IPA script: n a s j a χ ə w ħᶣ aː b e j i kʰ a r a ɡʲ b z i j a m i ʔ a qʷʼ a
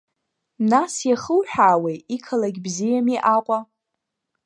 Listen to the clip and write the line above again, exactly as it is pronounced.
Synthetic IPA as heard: n a s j a χ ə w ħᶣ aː w e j i kʰ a l a ɡʲ b z i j a m i ʔ a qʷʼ a